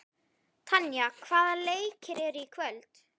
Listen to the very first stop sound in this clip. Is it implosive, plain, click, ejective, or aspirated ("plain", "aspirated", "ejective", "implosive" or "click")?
aspirated